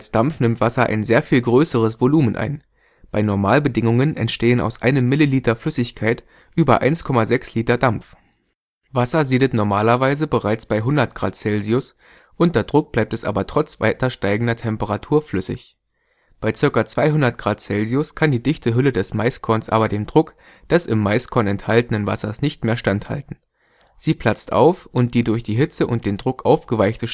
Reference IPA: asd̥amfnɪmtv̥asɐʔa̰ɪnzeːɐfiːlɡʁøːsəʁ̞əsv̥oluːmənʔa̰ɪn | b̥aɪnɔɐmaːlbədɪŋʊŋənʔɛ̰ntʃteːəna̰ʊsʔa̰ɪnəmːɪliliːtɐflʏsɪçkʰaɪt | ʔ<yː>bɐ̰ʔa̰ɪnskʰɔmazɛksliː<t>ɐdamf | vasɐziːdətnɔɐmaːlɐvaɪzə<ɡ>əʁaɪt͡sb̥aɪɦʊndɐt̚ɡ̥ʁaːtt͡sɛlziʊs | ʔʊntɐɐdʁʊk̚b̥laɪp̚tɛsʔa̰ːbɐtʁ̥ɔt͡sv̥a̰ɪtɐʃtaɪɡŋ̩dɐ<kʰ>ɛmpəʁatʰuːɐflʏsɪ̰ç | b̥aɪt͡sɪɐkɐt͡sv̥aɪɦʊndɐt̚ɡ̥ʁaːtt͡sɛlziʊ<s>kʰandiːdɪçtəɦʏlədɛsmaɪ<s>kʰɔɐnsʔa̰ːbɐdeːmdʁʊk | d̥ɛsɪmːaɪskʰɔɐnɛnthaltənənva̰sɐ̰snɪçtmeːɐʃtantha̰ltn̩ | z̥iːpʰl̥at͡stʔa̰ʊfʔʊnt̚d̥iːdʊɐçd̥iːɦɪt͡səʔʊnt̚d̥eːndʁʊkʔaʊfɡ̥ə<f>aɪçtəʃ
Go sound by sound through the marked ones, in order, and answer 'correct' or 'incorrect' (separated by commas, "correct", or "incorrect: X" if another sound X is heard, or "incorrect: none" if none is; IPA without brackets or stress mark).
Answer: correct, correct, incorrect: b, incorrect: tʰ, correct, correct, incorrect: v